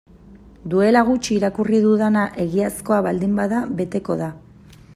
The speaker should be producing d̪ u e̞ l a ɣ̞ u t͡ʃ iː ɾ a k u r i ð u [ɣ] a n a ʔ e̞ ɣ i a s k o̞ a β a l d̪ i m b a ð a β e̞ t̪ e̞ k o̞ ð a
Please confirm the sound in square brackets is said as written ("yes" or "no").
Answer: no